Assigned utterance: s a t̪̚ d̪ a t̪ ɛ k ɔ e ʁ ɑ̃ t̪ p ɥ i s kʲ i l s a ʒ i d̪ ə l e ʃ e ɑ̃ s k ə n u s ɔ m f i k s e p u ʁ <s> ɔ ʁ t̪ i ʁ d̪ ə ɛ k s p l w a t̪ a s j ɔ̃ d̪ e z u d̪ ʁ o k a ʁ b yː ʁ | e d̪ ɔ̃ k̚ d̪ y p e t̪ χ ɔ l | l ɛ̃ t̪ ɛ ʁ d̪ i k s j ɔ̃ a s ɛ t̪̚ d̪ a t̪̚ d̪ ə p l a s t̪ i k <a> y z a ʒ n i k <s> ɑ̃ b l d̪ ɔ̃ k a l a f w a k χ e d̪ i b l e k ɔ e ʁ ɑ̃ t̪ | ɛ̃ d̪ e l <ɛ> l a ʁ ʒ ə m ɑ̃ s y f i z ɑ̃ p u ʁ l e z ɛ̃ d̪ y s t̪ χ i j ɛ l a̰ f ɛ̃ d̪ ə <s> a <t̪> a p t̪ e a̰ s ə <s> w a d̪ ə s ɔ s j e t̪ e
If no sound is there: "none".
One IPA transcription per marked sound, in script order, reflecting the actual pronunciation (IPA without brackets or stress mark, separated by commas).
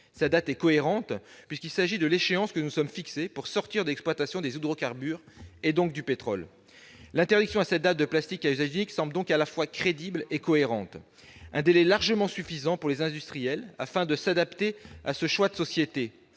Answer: s, a, s, ɛ, s, d̪, ʃ